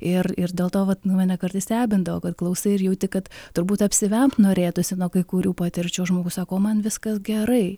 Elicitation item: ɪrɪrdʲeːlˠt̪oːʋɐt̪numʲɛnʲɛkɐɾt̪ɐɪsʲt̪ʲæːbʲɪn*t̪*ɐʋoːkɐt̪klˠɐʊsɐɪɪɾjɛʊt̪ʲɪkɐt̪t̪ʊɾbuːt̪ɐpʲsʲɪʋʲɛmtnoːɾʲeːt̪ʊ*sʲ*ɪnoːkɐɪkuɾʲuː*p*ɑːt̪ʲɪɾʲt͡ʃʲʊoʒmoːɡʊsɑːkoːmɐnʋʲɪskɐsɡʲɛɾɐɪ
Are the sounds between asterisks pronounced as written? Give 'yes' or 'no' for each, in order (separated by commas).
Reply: no, yes, yes